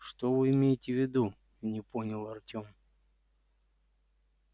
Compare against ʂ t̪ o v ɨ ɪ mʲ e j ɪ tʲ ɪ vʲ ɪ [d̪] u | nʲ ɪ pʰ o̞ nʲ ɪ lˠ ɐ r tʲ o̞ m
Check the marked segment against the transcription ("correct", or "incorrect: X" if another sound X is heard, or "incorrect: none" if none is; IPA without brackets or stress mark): correct